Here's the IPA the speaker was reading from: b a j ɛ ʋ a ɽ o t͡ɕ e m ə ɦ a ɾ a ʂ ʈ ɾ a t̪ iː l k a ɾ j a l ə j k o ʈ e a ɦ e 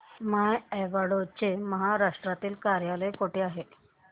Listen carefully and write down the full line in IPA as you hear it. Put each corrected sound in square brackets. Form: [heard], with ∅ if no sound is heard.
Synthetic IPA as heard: [m] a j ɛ ʋ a ɽ o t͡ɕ e m ə ɦ a ɾ a ʂ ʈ ɾ a t̪ iː l k a ɾ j a l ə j k o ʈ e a ɦ e